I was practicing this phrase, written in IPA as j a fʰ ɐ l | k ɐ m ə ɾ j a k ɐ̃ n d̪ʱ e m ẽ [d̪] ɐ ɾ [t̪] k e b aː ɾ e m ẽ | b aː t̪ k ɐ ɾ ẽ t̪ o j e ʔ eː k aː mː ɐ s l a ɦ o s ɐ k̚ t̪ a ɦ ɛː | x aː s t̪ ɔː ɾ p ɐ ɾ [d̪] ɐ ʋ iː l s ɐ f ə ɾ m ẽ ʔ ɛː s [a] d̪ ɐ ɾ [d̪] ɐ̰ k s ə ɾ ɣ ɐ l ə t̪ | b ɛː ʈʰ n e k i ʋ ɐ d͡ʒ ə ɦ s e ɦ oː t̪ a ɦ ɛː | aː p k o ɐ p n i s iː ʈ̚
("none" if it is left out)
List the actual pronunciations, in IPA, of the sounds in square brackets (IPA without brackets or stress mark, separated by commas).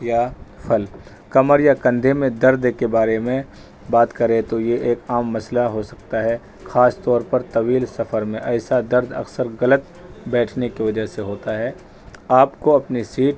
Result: d̪, d̪, t̪, a, d̪